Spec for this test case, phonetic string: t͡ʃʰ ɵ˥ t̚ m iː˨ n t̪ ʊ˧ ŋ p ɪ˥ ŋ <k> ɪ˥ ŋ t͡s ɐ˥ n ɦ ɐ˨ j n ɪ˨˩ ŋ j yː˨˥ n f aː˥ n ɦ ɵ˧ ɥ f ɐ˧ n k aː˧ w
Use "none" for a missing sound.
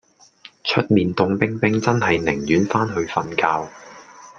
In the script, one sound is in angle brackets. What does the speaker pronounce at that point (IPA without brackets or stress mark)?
p